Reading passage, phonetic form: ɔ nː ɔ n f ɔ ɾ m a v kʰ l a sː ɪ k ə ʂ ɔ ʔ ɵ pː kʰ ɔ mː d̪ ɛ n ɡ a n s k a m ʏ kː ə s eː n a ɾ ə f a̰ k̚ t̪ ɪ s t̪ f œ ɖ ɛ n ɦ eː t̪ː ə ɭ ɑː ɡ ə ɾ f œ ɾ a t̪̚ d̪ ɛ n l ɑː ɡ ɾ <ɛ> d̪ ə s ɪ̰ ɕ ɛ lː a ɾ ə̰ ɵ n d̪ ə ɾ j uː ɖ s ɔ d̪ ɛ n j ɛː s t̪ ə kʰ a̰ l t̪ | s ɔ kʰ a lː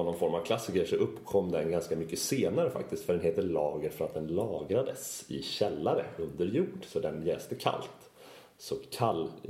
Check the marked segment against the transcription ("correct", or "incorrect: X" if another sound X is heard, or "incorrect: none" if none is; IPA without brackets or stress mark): incorrect: a